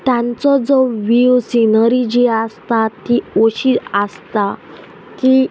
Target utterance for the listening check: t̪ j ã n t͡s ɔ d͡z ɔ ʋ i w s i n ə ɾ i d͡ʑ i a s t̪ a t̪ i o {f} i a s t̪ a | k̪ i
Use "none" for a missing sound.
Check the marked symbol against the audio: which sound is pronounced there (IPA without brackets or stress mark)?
ɕ